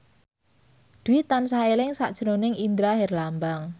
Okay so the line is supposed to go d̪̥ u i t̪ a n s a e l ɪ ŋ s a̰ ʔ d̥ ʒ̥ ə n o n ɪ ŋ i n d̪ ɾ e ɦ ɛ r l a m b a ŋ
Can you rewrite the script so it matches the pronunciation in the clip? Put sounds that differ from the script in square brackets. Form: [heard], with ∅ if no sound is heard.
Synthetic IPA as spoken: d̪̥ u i t̪ a n s a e l ɪ ŋ s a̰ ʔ d̥ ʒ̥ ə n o n ɪ ŋ i n d̪ ɾ [a] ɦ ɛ r l a m b a ŋ